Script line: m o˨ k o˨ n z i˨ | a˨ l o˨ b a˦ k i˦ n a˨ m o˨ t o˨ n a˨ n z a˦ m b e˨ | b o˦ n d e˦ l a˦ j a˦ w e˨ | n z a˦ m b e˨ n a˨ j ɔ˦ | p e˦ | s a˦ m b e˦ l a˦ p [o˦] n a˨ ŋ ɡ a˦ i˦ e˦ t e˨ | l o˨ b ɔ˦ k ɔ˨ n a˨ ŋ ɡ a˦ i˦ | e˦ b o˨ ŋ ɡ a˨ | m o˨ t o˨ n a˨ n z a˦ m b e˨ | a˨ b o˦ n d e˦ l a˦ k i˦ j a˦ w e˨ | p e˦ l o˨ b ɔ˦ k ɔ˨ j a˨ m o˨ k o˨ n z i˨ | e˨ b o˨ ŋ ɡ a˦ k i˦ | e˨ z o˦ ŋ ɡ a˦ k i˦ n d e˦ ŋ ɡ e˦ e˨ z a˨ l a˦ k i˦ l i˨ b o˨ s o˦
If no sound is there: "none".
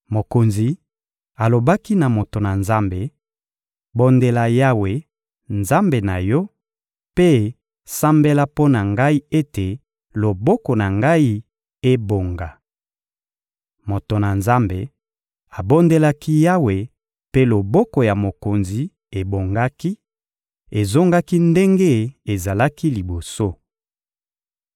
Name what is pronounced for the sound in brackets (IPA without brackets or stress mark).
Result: o˦